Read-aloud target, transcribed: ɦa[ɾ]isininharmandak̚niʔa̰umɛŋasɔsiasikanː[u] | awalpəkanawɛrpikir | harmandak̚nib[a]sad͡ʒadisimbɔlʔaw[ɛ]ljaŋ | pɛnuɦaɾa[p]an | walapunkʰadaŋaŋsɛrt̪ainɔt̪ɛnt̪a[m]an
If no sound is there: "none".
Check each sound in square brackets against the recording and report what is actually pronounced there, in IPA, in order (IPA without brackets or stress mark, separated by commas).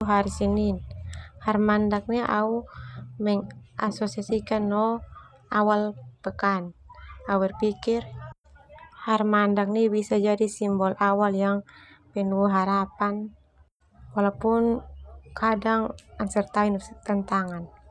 ɾ, ɔ, i, a, p, ŋ